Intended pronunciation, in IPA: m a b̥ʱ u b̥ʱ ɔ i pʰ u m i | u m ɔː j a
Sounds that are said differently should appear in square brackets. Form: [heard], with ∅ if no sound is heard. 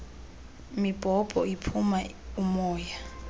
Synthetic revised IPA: m [i] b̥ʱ [ɔ] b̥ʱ ɔ i pʰ u m [a] | u m ɔː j a